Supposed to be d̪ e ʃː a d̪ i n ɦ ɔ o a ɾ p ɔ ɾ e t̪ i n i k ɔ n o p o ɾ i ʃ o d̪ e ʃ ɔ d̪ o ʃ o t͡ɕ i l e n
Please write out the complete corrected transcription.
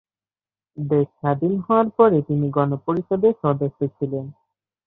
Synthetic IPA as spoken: d̪ e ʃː a d̪ i n ɦ ɔ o a ɾ p ɔ ɾ e t̪ i n i ɡ ɔ n o p o ɾ i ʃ o d̪ e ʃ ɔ d̪ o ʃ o t͡ɕʰ i l e n